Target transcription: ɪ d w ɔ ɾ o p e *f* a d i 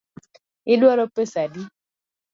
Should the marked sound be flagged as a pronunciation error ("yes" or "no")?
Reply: yes